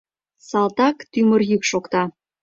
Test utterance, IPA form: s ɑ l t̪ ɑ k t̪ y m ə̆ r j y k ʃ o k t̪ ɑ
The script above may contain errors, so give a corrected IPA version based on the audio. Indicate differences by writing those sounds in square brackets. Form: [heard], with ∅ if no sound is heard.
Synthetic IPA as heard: s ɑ l t̪ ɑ k t̪ y m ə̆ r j y k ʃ o k t̪ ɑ